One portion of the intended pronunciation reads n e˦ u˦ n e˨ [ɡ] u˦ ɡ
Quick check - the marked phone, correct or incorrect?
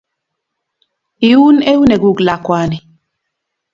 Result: correct